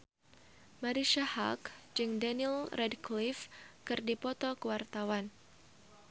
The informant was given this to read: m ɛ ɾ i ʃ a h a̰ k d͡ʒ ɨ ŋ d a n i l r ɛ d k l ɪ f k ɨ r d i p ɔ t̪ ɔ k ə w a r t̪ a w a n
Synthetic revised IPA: m a ɾ i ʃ a h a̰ k d͡ʒ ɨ ŋ d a n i l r ɛ d k l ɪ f k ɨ r d i p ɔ t̪ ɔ k ə w a r t̪ a w a n